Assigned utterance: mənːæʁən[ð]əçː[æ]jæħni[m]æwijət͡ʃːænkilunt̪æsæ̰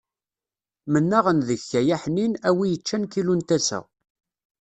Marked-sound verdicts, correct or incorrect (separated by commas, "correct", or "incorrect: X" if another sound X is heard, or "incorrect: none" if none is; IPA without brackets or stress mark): correct, correct, incorrect: n